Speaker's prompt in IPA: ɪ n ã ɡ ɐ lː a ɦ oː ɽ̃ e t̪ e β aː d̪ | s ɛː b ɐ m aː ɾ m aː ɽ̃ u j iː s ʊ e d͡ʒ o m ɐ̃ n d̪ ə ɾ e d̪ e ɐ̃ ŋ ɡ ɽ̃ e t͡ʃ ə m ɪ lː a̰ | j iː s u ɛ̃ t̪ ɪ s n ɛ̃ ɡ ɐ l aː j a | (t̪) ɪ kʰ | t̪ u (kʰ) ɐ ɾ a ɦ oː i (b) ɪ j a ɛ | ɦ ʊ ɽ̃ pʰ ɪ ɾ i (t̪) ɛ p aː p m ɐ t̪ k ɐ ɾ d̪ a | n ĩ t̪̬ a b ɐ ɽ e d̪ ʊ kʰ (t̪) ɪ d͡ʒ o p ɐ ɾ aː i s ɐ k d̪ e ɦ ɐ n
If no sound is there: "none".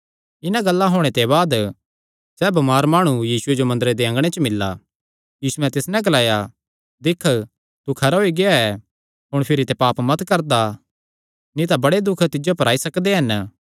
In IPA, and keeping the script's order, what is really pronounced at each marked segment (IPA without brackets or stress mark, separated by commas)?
d̪, kʰ, ɡ, t̪, t̪